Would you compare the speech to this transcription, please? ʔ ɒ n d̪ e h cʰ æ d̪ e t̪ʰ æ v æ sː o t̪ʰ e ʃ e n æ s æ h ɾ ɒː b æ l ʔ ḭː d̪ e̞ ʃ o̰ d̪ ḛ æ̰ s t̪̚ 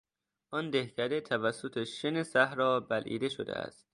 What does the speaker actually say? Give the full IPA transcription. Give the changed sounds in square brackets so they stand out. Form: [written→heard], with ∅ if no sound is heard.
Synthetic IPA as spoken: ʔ ɒ n d̪ e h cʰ æ d̪ e t̪ʰ æ v æ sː o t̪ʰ e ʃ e n [æ→e] s æ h ɾ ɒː b æ l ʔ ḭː d̪ e̞ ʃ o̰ d̪ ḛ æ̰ s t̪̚